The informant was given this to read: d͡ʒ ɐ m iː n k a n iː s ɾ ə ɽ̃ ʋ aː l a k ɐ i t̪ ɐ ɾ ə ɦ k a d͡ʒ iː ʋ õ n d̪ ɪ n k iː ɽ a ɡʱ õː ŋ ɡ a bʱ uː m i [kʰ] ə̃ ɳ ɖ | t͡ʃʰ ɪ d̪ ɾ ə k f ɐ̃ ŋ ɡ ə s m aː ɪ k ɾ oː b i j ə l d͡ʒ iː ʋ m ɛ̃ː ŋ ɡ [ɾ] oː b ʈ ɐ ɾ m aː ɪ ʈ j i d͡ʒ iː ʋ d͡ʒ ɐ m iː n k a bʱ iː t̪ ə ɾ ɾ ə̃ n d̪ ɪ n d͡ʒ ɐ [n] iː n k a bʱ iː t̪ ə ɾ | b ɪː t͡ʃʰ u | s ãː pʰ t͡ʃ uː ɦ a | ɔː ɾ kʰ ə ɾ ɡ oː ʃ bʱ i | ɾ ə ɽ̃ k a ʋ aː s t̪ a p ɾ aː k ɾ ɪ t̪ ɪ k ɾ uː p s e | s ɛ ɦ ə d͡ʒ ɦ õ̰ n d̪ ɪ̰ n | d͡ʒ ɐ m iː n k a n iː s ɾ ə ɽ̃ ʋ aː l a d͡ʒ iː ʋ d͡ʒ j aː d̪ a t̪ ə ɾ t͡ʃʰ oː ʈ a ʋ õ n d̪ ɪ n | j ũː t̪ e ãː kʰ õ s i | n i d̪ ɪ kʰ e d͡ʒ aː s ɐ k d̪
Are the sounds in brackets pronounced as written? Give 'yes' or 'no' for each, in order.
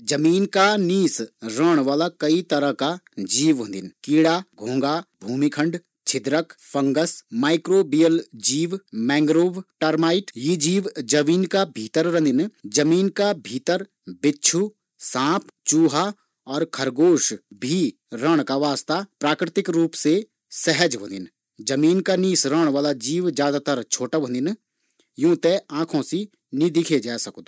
yes, yes, no

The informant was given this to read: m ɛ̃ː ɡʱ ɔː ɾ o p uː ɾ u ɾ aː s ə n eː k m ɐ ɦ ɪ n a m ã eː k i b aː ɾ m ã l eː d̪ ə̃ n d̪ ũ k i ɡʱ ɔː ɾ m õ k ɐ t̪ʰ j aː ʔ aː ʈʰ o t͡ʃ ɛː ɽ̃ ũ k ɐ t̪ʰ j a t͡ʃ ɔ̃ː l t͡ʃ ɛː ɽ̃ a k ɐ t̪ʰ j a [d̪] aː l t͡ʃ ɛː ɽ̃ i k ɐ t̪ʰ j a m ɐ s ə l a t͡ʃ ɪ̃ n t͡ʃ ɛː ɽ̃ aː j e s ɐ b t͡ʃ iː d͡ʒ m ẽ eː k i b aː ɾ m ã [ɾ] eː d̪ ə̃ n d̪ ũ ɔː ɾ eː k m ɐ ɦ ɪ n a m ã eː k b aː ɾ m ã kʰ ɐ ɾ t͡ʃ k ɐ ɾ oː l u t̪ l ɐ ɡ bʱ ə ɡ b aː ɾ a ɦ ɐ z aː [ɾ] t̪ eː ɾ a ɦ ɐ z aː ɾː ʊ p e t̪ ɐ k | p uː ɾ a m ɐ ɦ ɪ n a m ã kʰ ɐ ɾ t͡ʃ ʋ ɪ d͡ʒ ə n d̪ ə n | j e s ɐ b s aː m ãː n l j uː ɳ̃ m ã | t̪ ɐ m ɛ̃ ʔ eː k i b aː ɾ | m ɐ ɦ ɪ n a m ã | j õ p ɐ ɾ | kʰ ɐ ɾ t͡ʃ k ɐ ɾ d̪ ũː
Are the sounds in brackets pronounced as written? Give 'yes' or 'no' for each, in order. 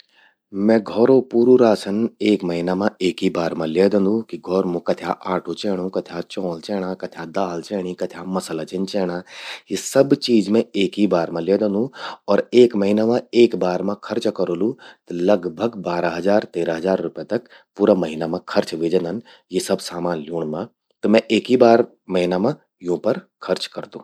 yes, no, yes

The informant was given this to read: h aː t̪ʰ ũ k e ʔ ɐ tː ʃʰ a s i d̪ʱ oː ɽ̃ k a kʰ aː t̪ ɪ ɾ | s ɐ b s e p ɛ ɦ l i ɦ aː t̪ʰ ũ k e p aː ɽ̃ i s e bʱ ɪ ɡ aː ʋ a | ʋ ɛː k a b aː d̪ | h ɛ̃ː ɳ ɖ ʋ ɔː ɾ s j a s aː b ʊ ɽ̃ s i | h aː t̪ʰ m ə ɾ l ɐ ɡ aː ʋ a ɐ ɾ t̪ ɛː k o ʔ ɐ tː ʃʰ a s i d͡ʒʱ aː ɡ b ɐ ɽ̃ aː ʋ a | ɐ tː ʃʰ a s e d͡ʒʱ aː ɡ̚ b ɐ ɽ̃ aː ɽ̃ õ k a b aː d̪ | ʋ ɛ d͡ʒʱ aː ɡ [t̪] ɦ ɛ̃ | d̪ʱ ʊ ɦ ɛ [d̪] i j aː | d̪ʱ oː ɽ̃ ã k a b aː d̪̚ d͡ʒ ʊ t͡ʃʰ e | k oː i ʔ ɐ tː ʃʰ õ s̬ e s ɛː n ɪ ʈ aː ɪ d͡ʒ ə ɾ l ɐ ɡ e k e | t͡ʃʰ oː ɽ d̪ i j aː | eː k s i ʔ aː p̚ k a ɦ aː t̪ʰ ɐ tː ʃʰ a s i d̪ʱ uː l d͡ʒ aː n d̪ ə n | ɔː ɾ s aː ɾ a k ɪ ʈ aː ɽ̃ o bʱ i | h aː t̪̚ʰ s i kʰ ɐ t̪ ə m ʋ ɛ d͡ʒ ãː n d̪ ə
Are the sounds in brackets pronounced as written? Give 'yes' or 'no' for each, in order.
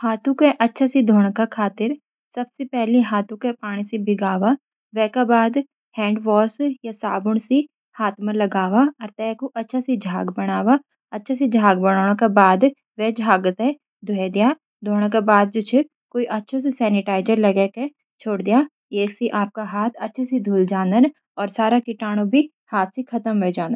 yes, yes

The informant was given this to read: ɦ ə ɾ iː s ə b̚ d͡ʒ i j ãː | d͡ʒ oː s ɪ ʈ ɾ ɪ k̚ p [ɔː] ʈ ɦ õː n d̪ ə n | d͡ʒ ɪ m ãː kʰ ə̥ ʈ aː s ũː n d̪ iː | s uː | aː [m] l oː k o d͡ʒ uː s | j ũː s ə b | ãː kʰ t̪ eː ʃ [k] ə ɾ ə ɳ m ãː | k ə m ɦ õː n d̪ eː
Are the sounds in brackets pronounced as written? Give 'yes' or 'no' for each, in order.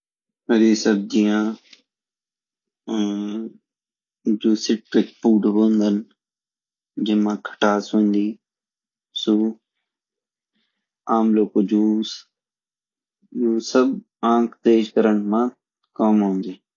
no, yes, yes

